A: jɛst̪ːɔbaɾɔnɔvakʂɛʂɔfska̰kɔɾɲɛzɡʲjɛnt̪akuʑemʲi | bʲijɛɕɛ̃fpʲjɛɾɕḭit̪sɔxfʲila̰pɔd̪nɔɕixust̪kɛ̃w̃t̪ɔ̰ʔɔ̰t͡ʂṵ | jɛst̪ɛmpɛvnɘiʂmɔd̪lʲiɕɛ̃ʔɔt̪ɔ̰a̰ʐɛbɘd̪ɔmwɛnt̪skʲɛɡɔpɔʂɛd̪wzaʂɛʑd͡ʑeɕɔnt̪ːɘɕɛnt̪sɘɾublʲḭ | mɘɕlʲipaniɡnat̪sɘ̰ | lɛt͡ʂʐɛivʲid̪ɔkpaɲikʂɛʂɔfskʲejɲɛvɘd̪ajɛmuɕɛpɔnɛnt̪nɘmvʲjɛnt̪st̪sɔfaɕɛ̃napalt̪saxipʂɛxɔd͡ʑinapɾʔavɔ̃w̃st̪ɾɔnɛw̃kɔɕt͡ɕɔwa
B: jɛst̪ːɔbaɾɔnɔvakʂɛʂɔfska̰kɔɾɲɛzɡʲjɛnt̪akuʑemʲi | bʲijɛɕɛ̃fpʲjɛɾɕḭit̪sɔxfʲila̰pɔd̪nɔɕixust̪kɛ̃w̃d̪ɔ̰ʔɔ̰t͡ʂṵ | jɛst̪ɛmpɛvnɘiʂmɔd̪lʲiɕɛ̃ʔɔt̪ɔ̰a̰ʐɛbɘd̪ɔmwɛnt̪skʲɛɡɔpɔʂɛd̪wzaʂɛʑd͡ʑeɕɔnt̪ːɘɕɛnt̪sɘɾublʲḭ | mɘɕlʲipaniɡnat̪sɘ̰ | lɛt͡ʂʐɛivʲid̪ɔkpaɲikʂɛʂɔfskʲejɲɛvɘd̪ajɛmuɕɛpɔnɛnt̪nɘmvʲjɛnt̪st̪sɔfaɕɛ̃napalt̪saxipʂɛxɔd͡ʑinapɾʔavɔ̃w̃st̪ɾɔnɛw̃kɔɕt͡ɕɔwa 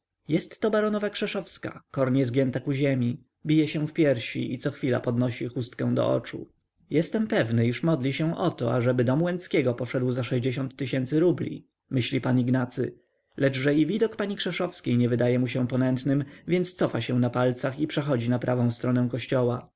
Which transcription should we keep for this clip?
B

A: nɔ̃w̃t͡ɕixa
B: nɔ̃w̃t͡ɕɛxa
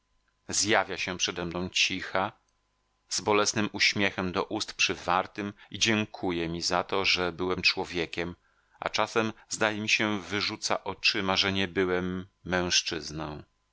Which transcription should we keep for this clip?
A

